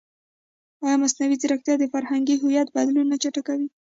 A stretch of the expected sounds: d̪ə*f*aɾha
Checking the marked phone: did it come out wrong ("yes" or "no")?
no